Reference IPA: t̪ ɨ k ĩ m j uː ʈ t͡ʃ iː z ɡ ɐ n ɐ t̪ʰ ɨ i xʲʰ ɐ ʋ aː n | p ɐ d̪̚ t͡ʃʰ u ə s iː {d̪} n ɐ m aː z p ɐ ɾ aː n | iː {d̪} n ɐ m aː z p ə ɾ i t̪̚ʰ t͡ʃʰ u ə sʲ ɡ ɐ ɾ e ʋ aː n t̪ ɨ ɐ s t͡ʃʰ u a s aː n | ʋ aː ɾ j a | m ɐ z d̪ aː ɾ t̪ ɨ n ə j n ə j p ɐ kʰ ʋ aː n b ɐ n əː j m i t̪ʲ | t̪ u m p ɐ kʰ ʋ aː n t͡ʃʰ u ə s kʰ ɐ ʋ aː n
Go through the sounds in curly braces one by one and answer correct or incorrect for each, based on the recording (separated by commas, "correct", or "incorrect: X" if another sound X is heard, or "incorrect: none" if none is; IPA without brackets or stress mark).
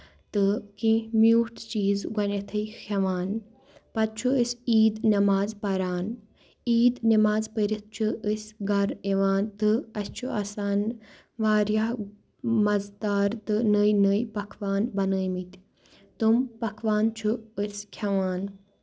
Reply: correct, correct